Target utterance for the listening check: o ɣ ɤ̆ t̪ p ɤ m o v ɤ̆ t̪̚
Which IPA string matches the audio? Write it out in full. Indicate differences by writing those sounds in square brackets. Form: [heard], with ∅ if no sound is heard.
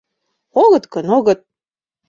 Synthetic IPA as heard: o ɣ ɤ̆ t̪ [k] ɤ [n] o [ɣ] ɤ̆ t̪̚